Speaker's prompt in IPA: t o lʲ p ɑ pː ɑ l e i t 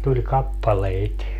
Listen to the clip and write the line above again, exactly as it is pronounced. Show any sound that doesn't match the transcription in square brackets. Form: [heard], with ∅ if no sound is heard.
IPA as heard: t [u] lʲ [k] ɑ pː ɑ l e i t

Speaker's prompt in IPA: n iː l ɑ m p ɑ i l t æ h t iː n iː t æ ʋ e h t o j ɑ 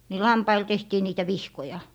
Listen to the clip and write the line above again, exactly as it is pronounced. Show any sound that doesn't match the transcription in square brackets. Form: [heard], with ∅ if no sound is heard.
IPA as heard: n [i] l ɑ m p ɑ i l t [e] h t iː n iː t æ ʋ [i] h [k] o j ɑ

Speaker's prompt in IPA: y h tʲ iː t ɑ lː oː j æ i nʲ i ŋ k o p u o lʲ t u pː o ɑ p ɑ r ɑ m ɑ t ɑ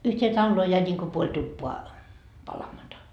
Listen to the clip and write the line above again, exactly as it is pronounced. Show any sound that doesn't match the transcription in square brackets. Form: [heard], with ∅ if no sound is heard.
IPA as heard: y h tʲ [eː] t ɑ lː oː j æ i nʲ i ŋ k o p u o lʲ t u pː o ɑ p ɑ [l] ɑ m ɑ t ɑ

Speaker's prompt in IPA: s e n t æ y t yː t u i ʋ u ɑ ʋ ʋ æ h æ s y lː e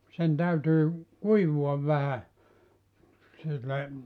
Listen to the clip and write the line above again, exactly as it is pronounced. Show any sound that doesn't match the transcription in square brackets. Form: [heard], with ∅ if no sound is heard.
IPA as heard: s e n t æ y t yː [k] u i ʋ u ɑ ʋ ʋ æ h æ s [i] lː e

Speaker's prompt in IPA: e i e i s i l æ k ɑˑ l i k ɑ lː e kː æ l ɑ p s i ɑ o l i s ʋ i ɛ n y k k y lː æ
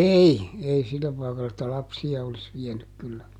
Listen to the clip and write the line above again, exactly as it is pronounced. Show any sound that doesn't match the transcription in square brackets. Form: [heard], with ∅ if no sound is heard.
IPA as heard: e i e i s i [lː] æ [p] ɑˑ [∅] i k ɑ lː e [tː] æ l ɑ p s i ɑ o l i s ʋ i ɛ n y k k y lː æ

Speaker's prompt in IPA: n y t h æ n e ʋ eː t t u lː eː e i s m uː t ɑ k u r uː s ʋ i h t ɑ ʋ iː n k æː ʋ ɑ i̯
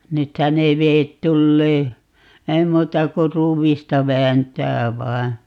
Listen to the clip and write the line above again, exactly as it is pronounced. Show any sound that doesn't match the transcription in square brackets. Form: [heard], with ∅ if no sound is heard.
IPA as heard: n y t h æ n e ʋ eː t t u lː eː e i [∅] m uː t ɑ k u r uː [∅] ʋ i [s] t ɑ ʋ [æː] n [t] æː ʋ ɑ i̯

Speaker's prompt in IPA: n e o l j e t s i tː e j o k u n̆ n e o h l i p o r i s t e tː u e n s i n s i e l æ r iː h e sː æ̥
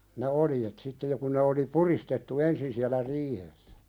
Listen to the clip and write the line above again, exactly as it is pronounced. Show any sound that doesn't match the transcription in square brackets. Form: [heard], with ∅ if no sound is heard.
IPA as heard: n e o l j e t s i tː e j o k u n̆ n e o [∅] l i p [u] r i s t e tː u e n s i n s i [æ] l æ r iː h e sː æ̥

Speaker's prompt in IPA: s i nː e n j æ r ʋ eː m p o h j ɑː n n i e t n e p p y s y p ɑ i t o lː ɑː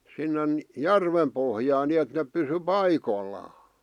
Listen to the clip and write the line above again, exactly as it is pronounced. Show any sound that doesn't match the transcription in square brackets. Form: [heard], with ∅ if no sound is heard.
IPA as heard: s i nː e n j æ r ʋ [e] m p o h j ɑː n n i e t n e p p y s y p ɑ i [k] o lː ɑː

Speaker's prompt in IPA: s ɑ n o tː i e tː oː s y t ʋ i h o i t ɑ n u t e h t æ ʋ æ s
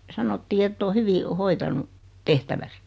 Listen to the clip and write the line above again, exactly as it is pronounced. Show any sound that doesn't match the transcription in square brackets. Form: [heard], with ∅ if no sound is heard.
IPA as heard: s ɑ n o tː [iː] e tː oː [h] y [∅] ʋ i h o i t ɑ n u t e h t æ ʋ æ s

